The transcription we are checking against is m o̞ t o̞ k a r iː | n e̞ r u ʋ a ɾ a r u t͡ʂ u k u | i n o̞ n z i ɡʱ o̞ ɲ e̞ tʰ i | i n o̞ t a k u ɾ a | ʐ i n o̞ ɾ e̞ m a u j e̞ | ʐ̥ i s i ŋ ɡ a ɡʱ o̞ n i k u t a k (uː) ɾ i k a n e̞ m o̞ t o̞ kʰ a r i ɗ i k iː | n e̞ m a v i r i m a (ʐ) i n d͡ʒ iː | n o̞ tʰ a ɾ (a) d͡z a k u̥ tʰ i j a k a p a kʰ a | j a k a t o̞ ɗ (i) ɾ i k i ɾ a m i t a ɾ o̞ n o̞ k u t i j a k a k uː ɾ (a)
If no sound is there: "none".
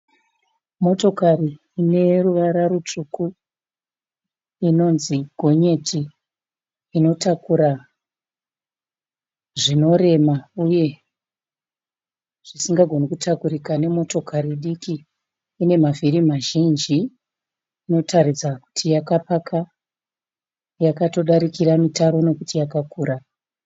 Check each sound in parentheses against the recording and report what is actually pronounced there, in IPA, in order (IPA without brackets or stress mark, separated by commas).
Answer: u, ʒ, i, a, a